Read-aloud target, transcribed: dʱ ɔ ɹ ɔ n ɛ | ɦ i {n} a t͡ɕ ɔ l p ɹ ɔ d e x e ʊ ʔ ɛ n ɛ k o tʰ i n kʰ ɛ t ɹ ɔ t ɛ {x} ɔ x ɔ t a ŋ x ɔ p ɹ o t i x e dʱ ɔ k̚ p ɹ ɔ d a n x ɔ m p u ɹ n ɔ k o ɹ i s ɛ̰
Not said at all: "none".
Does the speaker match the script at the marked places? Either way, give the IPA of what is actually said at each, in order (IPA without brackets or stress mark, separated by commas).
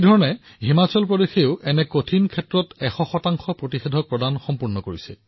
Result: m, x